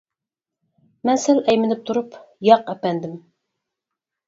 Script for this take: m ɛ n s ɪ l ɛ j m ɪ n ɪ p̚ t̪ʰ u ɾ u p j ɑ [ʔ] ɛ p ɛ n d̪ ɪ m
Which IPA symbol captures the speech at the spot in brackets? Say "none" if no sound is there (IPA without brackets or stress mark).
q